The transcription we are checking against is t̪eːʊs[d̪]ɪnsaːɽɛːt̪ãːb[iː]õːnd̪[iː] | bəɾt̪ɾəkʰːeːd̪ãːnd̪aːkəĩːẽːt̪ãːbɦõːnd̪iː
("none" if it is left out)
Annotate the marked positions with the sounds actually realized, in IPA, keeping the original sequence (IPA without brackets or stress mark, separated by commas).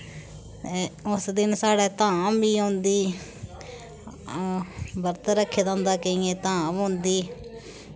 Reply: d̪, iː, iː